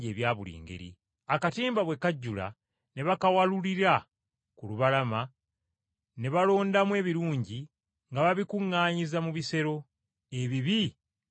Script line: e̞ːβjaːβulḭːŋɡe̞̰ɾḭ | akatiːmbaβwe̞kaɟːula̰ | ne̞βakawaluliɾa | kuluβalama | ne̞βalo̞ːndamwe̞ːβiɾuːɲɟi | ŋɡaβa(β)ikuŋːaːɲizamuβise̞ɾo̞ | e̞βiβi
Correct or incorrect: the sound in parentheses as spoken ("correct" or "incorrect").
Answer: correct